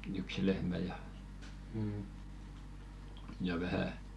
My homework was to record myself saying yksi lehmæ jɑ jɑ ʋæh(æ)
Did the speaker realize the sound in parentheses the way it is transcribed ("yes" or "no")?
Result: yes